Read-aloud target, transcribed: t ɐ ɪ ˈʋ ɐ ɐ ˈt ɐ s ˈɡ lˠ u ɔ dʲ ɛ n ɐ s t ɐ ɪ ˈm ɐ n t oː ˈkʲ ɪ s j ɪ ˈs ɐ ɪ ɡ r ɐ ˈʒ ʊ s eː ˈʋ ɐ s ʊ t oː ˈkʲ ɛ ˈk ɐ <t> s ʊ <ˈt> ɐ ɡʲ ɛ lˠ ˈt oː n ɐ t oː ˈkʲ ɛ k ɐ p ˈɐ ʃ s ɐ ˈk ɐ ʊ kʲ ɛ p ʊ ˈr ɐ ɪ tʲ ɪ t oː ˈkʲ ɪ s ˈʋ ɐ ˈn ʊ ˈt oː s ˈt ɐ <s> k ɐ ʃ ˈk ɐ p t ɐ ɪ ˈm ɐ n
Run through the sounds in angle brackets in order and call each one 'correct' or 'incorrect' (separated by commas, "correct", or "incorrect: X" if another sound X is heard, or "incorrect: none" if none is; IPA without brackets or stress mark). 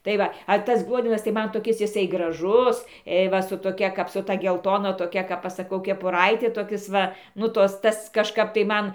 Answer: incorrect: p, correct, correct